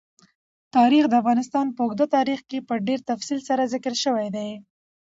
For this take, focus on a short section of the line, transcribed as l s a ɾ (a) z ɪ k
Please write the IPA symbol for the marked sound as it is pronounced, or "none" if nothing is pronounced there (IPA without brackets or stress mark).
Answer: a